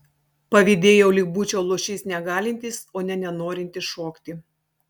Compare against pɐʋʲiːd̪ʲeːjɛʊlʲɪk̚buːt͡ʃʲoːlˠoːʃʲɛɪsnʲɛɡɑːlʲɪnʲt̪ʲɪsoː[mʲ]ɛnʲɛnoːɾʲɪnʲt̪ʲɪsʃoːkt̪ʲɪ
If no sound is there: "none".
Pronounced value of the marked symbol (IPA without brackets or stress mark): nʲ